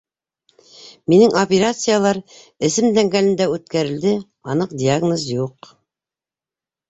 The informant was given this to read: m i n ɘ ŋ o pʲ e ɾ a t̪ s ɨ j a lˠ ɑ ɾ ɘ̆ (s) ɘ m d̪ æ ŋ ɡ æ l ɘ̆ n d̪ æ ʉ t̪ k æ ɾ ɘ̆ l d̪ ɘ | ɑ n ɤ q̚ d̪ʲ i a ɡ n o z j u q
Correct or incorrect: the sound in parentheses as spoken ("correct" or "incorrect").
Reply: correct